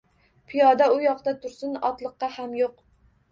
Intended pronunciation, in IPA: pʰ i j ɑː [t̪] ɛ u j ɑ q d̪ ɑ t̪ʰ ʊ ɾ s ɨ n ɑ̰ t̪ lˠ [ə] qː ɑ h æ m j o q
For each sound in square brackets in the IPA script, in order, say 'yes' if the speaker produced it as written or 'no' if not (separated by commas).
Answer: no, yes